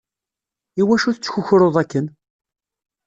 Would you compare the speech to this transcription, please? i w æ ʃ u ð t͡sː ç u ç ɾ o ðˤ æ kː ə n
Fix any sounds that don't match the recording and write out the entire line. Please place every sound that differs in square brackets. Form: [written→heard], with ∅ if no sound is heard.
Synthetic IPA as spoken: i w æ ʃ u [ð→θ] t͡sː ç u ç ɾ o ðˤ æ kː ə n